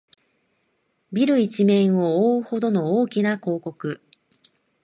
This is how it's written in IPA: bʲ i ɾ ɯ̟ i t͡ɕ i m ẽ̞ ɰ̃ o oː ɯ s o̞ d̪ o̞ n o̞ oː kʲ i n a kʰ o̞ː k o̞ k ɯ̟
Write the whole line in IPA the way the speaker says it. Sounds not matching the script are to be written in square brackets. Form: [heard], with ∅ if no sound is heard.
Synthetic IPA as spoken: bʲ i ɾ ɯ̟ i t͡ɕ i m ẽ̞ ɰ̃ o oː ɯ [h] o̞ d̪ o̞ n o̞ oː kʲ i n a [k] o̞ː k o̞ k ɯ̟